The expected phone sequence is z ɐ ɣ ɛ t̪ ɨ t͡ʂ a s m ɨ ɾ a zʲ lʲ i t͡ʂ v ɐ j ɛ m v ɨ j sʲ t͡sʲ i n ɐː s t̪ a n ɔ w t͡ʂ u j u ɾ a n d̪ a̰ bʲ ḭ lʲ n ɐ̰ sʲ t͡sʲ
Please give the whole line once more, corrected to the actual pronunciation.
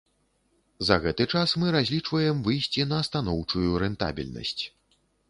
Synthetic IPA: z ɐ ɣ ɛ t̪ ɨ t͡ʂ a s m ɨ ɾ a zʲ lʲ i t͡ʂ v ɐ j ɛ m v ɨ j sʲ t͡sʲ i n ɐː s t̪ a n ɔ w t͡ʂ u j u ɾ ɛ n t̪ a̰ bʲ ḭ lʲ n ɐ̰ sʲ t͡sʲ